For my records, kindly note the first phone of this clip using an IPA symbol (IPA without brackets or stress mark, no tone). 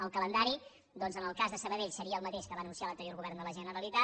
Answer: ə